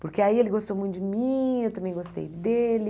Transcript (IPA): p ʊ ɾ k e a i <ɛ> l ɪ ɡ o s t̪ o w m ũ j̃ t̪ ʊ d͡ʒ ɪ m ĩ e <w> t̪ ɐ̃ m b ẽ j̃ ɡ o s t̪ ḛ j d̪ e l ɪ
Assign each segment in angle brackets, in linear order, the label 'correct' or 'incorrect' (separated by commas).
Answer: incorrect, correct